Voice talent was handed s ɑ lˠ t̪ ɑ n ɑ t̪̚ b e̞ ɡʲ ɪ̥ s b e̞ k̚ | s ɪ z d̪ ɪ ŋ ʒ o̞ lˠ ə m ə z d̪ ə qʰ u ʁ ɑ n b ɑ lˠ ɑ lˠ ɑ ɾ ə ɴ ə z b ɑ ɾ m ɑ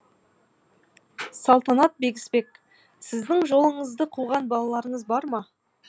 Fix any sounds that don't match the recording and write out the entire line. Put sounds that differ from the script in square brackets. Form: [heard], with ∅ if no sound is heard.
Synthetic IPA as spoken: s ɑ lˠ t̪ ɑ n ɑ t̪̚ b e̞ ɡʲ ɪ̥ s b e̞ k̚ | s ɪ z d̪ ɪ ŋ ʒ o̞ lˠ ə [ɴ] ə z d̪ ə qʰ u ʁ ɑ n b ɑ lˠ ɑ lˠ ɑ ɾ ə ɴ ə z b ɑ ɾ m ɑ